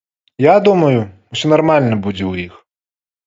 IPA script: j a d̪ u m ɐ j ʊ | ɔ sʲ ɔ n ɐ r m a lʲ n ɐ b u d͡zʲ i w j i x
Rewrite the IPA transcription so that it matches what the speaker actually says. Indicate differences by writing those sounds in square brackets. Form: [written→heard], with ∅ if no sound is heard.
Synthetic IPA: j a d̪ u m ɐ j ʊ | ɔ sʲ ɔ n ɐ r m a lʲ n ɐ b u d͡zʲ [i→ɛ] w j i x